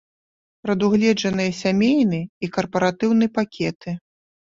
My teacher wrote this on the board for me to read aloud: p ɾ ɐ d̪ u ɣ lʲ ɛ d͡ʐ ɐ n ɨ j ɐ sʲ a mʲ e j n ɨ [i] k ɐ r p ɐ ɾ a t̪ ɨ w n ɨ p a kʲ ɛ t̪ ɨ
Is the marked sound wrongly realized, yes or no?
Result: no